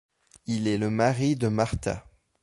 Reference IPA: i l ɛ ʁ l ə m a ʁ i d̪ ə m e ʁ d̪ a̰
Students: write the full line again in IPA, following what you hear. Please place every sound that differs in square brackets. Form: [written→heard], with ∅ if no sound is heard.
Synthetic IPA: i l ɛ [ʁ→∅] l ə m a ʁ i d̪ ə m [e→a] ʁ [d̪→t̪] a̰

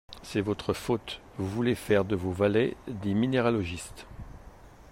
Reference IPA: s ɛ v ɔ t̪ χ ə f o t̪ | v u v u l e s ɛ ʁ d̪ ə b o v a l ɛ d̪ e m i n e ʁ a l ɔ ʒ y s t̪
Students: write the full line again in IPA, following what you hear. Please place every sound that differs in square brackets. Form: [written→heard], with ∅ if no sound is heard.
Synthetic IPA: s ɛ v ɔ t̪ χ ə f o t̪ | v u v u l e [s→f] ɛ ʁ d̪ ə [b→v] o v a l ɛ d̪ e m i n e ʁ a l ɔ ʒ [y→i] s t̪

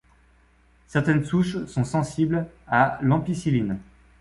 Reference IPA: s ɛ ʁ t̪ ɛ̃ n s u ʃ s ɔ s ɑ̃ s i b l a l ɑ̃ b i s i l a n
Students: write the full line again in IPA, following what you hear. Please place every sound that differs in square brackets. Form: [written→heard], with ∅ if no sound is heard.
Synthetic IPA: s ɛ ʁ t̪ [ɛ̃→ɛ] n s u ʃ s [ɔ→ɔ̃] s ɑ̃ s i b l a l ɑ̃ [b→p] i s i l [a→i] n

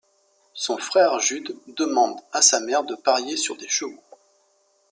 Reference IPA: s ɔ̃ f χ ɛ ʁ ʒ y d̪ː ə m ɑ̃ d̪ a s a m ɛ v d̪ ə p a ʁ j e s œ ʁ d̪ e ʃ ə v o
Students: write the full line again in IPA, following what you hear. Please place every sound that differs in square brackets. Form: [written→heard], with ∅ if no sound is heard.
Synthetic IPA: s ɔ̃ f χ ɛ ʁ ʒ y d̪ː ə m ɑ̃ d̪ a s a m ɛ [v→ʁ] d̪ ə p a ʁ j e s [œ→y] ʁ d̪ e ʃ ə v o

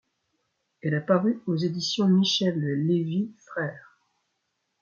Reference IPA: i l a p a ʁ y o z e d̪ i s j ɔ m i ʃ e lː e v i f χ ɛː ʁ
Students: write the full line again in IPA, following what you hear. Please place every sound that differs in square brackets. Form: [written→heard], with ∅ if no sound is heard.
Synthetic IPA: [i→ɛ] l a p a ʁ y o z e d̪ i s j [ɔ→ɔ̃] m i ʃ [e→ɛ] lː e v i f χ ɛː ʁ

